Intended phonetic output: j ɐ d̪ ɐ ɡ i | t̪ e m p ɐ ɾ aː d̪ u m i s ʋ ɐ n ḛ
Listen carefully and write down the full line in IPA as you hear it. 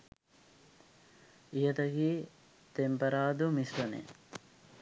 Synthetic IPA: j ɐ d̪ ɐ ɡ i | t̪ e m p ɐ ɾ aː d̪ u m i s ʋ ɐ n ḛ